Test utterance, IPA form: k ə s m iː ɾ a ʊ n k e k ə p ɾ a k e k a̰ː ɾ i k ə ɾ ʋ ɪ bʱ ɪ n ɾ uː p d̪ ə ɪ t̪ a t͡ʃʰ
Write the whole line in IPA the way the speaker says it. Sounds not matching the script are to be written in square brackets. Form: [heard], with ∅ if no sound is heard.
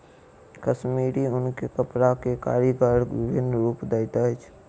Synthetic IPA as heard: k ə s m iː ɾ [i] ʊ n k e k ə p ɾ a k e k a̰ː ɾ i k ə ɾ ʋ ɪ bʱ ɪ n ɾ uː p d̪ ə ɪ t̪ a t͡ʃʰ

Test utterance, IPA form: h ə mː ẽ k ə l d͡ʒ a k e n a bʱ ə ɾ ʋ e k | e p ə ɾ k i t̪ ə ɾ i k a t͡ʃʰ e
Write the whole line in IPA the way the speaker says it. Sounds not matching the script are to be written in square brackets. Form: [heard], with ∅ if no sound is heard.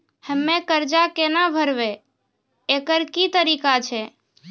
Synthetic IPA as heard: h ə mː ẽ k ə [ɾ] d͡ʒ a k e n a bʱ ə ɾ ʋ e [∅] | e [k] ə ɾ k i t̪ ə ɾ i k a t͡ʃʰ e

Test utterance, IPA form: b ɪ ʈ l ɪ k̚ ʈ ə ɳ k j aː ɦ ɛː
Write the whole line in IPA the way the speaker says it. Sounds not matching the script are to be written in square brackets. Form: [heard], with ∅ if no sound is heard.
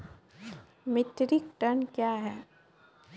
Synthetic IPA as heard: [m] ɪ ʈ [ɾ] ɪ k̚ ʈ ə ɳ k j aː ɦ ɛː

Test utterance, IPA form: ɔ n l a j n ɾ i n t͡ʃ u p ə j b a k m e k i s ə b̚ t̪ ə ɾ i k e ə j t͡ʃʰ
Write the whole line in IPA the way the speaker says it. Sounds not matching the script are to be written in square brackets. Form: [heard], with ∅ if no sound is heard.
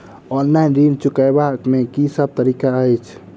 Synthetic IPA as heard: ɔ n l a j n ɾ i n t͡ʃ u [k] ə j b a k m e k i s ə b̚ t̪ ə ɾ i k [a] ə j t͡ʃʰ

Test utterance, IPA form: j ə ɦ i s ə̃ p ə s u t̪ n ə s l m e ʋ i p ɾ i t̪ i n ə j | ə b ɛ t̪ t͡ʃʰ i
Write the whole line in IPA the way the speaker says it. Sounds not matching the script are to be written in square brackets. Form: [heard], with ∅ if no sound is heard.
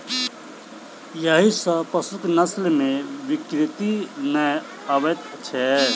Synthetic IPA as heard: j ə ɦ i s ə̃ p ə s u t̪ n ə s l m e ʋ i [k] ɾ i t̪ i n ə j | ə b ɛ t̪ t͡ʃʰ [ɛ]

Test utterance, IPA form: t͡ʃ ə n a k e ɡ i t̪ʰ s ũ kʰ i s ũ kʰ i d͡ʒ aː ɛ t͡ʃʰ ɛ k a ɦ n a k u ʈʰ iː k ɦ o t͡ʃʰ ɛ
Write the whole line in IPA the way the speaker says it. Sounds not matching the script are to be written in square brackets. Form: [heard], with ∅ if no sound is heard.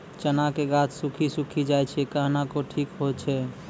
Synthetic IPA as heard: t͡ʃ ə n a k e ɡ [a] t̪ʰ s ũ kʰ i s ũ kʰ i d͡ʒ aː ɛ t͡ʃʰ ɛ k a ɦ n a k [o] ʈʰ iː k ɦ o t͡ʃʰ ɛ

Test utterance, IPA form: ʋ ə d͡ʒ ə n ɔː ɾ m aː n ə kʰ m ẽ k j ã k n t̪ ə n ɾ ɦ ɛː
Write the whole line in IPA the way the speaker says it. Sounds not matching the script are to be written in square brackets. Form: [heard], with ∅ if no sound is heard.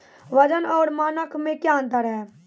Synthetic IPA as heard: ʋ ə d͡ʒ ə n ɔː ɾ m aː n ə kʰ m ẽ k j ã [∅] n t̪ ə [∅] ɾ ɦ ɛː

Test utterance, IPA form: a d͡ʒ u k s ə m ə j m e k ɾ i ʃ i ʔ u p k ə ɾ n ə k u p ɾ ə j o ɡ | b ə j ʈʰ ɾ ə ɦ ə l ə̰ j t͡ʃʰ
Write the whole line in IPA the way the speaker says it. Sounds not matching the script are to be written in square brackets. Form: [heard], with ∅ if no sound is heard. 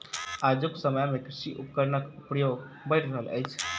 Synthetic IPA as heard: a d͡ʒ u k s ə m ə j m e k ɾ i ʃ i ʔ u p k ə ɾ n ə k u p ɾ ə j o ɡ | b ə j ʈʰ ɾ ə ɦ ə l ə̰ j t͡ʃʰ

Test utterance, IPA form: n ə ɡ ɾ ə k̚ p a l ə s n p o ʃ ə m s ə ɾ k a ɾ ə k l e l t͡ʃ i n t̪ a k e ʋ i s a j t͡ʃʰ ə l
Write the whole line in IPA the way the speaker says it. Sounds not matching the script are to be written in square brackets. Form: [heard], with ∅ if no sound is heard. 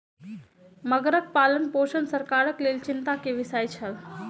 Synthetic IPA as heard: [m] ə ɡ ɾ ə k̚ p a l ə [∅] n p o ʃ ə [n] s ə ɾ k a ɾ ə k l e l t͡ʃ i n t̪ a k e ʋ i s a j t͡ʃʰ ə l

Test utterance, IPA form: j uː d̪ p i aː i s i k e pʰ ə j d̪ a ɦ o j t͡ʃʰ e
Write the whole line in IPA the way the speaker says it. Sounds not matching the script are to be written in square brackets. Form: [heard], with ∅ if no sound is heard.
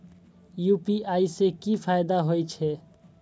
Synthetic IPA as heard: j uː [∅] p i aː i s [e] k [i] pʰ [a] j d̪ a ɦ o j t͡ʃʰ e

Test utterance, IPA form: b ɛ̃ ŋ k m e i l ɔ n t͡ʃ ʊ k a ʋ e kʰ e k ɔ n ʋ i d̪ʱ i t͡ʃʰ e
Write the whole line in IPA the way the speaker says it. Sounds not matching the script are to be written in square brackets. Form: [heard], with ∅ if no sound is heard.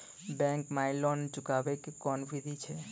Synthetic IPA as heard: b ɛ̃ ŋ k m [a] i l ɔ n t͡ʃ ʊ k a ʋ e [k] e k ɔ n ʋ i d̪ʱ i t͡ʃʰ e

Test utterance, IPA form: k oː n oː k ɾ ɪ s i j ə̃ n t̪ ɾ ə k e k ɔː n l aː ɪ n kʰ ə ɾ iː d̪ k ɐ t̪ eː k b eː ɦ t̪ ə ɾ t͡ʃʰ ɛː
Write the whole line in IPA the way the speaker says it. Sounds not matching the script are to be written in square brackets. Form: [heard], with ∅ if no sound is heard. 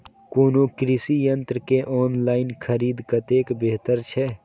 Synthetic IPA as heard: k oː n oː k ɾ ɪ s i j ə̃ n t̪ ɾ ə k e [ʔ] ɔː n l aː ɪ n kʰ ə ɾ iː d̪ k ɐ t̪ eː k b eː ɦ t̪ ə ɾ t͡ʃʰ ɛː

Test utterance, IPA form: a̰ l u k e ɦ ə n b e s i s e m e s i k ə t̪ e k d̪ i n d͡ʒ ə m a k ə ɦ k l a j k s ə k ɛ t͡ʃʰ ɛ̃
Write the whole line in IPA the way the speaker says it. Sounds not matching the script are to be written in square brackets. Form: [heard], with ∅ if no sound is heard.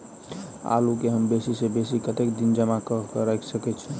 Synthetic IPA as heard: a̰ l u k e ɦ ə [m] b e s i s e [b] e s i k ə t̪ e k d̪ i n d͡ʒ ə m a k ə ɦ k [ɾ] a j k s ə k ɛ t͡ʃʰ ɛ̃

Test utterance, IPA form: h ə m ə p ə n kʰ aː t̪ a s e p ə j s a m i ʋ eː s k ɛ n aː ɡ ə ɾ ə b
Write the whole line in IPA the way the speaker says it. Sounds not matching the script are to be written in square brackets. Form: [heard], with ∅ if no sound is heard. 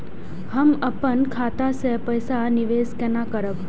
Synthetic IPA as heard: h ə m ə p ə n kʰ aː t̪ a s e p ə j s a [n] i ʋ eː s k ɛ n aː [k] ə ɾ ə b

